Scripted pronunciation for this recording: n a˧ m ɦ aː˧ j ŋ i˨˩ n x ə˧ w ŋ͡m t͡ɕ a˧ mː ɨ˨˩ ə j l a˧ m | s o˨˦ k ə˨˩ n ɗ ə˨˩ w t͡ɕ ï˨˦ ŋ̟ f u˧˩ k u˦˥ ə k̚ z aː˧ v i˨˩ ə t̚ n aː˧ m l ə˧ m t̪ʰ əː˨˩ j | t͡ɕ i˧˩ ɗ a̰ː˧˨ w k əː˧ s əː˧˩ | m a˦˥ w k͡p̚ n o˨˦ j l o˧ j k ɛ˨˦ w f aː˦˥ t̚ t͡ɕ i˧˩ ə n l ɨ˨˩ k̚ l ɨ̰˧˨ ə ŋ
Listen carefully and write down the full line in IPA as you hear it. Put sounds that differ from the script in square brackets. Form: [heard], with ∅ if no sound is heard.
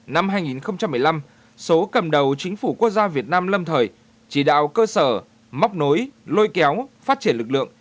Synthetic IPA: n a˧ m ɦ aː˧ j ŋ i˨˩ n x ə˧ w ŋ͡m t͡ɕ a˧ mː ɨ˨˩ ə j l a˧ m | s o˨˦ k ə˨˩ [m] ɗ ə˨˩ w t͡ɕ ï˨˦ ŋ̟ f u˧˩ k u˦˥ ə k̚ z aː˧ v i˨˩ ə t̚ n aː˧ m l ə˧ m t̪ʰ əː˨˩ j | t͡ɕ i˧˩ ɗ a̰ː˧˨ w k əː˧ s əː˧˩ | m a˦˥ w k͡p̚ n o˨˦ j l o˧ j k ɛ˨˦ w f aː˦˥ t̚ t͡ɕ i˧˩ ə n l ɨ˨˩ k̚ l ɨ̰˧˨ ə ŋ